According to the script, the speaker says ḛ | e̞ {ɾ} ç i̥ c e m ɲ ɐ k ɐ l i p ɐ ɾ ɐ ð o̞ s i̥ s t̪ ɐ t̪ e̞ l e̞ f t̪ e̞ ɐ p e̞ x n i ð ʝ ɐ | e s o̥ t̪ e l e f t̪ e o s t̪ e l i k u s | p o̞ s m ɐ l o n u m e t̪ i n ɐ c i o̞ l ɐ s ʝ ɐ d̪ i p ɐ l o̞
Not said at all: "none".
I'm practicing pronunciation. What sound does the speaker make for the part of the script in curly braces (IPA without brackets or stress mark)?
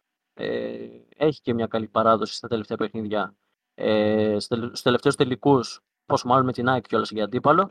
none